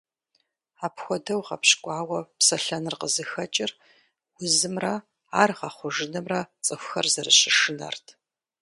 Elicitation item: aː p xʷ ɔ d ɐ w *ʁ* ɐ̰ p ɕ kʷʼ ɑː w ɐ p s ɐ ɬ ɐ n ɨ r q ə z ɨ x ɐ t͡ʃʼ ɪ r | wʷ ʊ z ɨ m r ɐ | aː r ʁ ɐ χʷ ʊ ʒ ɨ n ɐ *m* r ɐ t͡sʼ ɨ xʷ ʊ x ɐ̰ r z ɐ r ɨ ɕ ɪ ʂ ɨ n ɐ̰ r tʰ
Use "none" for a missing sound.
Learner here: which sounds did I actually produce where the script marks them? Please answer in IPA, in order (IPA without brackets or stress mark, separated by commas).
ʁ, m